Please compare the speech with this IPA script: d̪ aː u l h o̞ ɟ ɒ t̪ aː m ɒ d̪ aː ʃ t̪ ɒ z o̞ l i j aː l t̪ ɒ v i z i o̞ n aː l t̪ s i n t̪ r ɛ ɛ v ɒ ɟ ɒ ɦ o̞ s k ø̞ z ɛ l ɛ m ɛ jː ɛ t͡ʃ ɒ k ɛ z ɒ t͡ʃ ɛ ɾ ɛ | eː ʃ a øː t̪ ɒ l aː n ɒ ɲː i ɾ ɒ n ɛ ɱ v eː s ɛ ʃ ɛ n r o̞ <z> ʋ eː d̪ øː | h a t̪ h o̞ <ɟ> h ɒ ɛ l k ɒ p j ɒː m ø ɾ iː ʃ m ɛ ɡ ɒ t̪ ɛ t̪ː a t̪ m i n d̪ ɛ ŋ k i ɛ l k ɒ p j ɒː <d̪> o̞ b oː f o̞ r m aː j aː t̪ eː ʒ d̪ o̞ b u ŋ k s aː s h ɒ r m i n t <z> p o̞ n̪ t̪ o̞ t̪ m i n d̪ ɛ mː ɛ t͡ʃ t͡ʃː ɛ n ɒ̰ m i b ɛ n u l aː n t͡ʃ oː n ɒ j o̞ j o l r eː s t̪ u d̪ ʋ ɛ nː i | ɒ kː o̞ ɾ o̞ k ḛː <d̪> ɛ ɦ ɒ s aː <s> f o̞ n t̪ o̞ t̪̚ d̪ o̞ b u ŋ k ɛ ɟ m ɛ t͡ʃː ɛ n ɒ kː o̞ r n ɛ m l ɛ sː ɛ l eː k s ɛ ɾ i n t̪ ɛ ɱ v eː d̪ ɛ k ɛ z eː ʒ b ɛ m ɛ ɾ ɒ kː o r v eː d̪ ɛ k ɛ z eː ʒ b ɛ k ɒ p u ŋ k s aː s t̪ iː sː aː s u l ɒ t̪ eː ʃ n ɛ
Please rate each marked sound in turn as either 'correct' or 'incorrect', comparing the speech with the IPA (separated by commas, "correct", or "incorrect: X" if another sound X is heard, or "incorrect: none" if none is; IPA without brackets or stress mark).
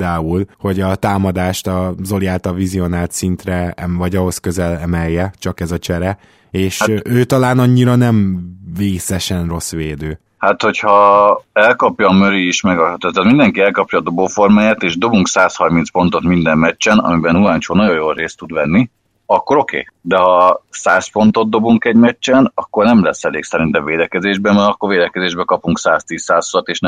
incorrect: s, incorrect: c, correct, incorrect: s, correct, correct